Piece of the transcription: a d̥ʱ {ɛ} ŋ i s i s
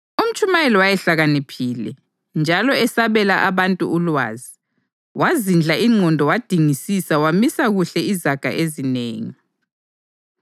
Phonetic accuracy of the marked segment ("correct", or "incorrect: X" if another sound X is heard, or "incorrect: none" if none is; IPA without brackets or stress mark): incorrect: i